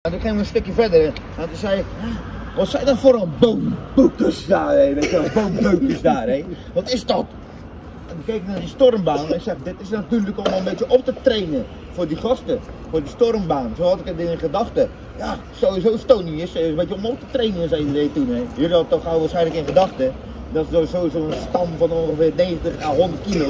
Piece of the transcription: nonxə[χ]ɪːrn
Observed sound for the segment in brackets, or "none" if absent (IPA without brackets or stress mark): f